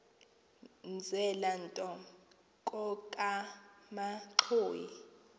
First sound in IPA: n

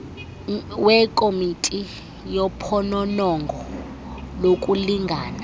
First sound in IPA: w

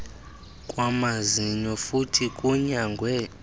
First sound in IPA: kʼ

